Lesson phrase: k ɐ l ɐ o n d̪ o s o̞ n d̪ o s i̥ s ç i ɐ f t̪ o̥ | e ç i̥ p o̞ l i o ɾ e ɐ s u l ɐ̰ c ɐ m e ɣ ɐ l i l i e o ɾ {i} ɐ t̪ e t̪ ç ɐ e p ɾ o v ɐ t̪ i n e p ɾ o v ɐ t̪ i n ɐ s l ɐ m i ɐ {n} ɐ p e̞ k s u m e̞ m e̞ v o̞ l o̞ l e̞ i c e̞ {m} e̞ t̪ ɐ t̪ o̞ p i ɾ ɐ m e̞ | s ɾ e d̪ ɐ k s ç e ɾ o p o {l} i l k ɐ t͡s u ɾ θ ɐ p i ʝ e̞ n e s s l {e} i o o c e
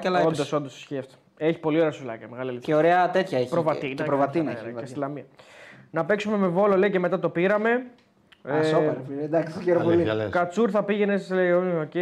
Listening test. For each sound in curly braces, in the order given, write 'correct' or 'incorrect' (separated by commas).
incorrect, correct, correct, correct, correct